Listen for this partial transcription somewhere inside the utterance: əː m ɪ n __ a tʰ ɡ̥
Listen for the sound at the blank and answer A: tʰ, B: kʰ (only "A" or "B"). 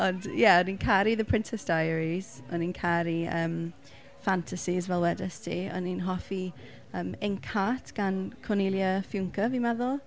B